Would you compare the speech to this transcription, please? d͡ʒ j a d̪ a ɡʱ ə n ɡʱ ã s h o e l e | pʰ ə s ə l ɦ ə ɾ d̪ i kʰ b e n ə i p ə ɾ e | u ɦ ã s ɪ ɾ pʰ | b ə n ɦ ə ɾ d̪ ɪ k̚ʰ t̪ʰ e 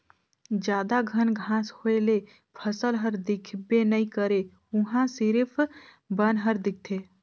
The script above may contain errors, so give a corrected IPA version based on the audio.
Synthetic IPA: d͡ʒ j a d̪ a ɡʱ ə n ɡʱ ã s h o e l e | pʰ ə s ə l ɦ ə ɾ d̪ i kʰ b e n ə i k ə ɾ e | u ɦ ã s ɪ ɾ pʰ | b ə n ɦ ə ɾ d̪ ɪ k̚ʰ t̪ʰ e